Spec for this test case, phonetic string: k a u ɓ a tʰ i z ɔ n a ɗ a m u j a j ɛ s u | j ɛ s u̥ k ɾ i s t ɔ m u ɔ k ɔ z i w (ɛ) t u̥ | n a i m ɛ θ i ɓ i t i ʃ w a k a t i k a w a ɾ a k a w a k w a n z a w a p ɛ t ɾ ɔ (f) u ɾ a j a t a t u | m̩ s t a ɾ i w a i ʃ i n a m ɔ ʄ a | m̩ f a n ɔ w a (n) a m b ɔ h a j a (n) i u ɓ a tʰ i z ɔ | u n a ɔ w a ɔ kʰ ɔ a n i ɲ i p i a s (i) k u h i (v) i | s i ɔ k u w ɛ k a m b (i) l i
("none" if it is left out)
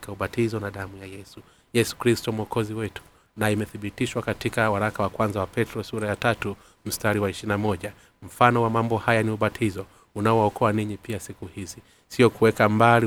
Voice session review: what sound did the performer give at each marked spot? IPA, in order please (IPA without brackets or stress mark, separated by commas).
ɛ, s, m, n, i, z, a